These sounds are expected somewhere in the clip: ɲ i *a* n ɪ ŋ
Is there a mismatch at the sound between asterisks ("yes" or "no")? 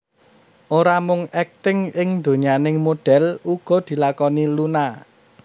no